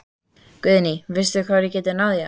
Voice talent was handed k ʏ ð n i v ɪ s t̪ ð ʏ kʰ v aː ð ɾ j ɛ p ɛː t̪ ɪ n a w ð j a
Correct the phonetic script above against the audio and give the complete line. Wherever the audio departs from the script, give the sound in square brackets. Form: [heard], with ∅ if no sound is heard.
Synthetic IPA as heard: k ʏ ð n i v ɪ s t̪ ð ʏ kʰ v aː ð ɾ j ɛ [c] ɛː t̪ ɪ n a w ð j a